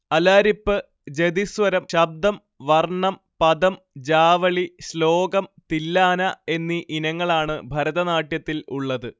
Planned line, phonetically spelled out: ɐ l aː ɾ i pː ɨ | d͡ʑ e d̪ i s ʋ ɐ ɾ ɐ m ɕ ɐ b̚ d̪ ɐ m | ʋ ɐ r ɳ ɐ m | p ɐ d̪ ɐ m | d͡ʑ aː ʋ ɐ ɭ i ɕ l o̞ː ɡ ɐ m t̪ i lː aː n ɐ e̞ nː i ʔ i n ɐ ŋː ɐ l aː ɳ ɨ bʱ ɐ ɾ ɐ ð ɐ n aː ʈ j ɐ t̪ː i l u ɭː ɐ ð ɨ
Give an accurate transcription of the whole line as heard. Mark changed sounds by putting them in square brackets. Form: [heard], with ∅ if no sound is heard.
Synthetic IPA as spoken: ɐ l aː ɾ i pː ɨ | d͡ʑ e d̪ i s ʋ ɐ ɾ ɐ m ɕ ɐ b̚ d̪ ɐ m | ʋ ɐ r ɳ ɐ m | p ɐ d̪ ɐ m | d͡ʑ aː ʋ ɐ ɭ i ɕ l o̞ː ɡ ɐ m t̪ i lː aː n ɐ e̞ nː i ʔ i n ɐ ŋː ɐ [ɭ] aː ɳ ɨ bʱ ɐ ɾ ɐ ð ɐ n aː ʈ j ɐ t̪ː i l u ɭː ɐ ð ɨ

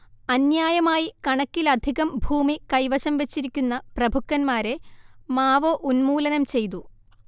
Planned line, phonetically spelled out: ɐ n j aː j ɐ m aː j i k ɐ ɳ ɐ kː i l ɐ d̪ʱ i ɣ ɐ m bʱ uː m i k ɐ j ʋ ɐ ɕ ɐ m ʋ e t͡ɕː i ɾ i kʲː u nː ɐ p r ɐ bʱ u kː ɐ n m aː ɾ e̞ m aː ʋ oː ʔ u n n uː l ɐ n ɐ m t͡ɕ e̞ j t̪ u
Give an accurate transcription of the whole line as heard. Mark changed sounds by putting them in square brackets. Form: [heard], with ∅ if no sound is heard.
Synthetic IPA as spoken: ɐ n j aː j ɐ m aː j i k ɐ ɳ ɐ kː i l ɐ d̪ʱ i ɣ ɐ m bʱ uː m i k ɐ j ʋ ɐ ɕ ɐ m ʋ e t͡ɕː i ɾ i kʲː u nː ɐ p r ɐ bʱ u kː ɐ n m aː ɾ e̞ m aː ʋ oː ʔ u n [m] uː l ɐ n ɐ m t͡ɕ e̞ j t̪ u

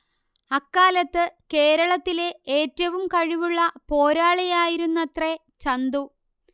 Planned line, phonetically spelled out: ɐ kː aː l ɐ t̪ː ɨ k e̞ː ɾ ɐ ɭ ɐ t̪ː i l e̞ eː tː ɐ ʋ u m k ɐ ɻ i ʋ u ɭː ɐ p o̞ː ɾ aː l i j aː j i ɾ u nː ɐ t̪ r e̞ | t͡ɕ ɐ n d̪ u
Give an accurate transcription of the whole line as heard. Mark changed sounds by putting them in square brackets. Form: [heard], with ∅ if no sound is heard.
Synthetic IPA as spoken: ɐ kː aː l ɐ t̪ː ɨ k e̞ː ɾ ɐ ɭ ɐ t̪ː i l e̞ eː tː ɐ ʋ u m k ɐ ɻ i ʋ u ɭː ɐ p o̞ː ɾ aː [ɭ] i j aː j i ɾ u nː ɐ t̪ r e̞ | t͡ɕ ɐ n d̪ u

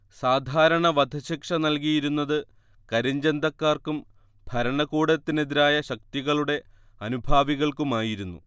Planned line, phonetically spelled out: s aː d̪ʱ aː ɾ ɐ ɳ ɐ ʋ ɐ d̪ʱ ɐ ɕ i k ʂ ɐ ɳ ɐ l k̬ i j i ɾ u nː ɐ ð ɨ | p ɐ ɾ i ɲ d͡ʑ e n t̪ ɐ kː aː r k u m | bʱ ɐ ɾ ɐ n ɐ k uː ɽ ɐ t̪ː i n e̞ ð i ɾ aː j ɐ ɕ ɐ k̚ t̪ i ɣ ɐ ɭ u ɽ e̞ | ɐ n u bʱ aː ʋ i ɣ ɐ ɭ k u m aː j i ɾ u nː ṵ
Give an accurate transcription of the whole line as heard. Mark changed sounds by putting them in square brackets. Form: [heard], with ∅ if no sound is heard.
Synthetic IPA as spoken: s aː d̪ʱ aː ɾ ɐ ɳ ɐ ʋ ɐ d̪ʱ ɐ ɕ i k ʂ ɐ [n] ɐ l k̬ i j i ɾ u nː ɐ ð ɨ | [k] ɐ ɾ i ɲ d͡ʑ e n [d̪] ɐ kː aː r k u m | bʱ ɐ ɾ ɐ [ɳ] ɐ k uː ɽ ɐ t̪ː i n e̞ ð i ɾ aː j ɐ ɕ ɐ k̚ t̪ i ɣ ɐ ɭ u ɽ e̞ | ɐ n u bʱ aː ʋ i ɣ ɐ ɭ k u m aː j i ɾ u nː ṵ

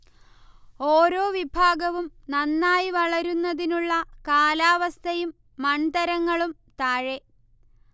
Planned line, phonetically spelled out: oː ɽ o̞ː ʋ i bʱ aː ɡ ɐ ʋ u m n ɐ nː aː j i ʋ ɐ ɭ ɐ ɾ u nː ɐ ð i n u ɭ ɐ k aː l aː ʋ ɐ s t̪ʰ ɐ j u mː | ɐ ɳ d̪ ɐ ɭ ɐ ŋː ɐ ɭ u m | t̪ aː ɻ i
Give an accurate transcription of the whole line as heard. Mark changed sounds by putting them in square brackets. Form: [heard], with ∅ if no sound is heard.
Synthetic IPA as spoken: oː [ɾ] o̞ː ʋ i bʱ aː ɡ ɐ ʋ u m n ɐ nː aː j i ʋ ɐ ɭ ɐ ɾ u nː ɐ ð i n u [ɭː] ɐ k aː l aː ʋ ɐ s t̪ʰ ɐ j u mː | ɐ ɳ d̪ ɐ [ɾ] ɐ ŋː ɐ ɭ u m | t̪ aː ɻ [e]

